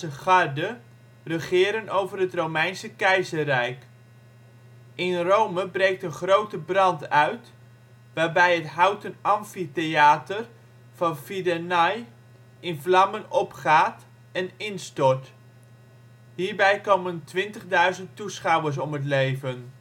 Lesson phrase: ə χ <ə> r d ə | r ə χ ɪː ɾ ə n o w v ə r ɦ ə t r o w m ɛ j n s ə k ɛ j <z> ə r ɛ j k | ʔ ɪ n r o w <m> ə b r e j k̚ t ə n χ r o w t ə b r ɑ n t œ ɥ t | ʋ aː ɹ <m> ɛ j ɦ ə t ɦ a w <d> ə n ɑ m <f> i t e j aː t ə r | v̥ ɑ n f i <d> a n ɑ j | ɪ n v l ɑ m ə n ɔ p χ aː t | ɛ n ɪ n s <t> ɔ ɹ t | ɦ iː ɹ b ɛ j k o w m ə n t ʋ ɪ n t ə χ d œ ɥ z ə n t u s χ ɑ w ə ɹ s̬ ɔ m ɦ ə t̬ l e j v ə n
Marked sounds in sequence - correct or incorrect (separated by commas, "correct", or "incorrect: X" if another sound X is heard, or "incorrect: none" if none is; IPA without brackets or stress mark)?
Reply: incorrect: ɑ, correct, correct, incorrect: b, incorrect: t, correct, correct, correct